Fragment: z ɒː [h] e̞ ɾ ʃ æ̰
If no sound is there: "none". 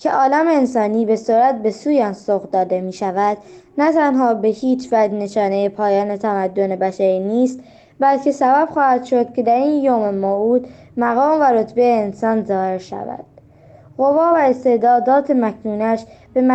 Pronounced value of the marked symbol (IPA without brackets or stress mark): h